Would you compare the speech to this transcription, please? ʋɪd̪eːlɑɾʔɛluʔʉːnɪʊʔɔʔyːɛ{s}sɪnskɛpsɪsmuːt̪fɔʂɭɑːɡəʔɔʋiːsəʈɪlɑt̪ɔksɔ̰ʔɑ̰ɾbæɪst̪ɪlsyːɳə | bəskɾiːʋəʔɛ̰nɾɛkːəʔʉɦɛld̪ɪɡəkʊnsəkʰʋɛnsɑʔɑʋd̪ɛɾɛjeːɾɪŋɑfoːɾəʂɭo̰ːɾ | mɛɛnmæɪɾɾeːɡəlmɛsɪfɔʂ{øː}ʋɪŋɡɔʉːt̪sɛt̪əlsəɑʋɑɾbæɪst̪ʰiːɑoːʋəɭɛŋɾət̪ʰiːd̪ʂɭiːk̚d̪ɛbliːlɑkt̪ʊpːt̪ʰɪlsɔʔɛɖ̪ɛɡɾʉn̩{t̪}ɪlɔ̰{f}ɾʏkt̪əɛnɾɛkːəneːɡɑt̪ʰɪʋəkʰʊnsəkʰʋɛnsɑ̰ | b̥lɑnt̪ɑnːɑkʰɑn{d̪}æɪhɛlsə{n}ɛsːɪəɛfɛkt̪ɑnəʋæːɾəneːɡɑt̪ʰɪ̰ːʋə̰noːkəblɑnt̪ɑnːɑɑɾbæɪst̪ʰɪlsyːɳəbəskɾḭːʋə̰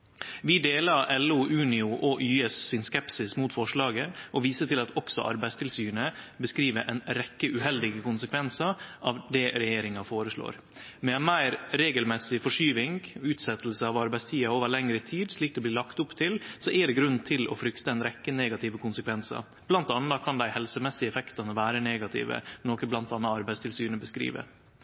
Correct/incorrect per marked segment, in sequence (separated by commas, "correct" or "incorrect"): correct, incorrect, incorrect, correct, correct, incorrect